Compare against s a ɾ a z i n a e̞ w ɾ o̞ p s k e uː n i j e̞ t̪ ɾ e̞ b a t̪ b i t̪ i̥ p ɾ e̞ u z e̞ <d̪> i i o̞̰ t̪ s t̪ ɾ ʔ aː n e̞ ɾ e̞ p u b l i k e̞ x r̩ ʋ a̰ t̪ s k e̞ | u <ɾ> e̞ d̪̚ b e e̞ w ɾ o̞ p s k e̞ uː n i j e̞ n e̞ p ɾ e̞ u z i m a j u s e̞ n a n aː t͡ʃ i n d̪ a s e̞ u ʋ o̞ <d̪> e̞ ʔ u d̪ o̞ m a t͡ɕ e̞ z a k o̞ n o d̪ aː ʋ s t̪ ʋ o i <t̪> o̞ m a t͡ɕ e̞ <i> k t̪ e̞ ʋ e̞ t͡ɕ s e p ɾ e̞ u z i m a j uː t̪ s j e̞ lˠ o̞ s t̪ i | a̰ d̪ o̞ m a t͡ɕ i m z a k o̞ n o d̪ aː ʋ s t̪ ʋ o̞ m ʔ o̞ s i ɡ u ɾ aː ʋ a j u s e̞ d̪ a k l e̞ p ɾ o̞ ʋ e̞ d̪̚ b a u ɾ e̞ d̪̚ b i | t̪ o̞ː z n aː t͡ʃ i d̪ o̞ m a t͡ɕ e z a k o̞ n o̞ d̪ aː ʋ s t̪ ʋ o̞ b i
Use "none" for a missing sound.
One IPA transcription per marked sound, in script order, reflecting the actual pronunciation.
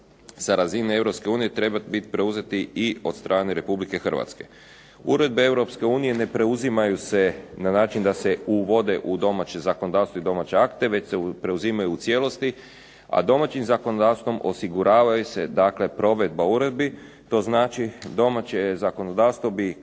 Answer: t̪, ɾ, d̪, d̪, a

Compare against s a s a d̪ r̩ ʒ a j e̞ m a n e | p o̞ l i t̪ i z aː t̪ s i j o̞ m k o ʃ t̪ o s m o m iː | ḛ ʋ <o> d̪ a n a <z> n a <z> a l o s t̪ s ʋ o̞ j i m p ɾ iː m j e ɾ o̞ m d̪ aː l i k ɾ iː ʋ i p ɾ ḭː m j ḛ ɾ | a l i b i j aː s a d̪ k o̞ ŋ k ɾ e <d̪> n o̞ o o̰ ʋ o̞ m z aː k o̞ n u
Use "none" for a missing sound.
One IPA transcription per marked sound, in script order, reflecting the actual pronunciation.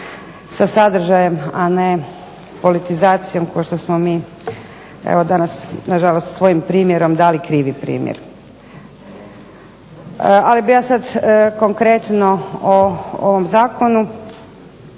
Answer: o, s, ʒ, t̪

